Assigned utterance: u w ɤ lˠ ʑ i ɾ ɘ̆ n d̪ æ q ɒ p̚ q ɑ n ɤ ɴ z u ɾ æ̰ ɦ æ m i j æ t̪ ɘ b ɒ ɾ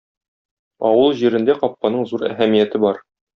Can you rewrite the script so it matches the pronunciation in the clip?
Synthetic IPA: ɒ w ɤ lˠ ʑ i ɾ ɘ̆ n d̪ æ q ɒ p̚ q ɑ n ɤ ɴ z u ɾ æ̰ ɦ æ m i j æ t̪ ɘ b ɒ ɾ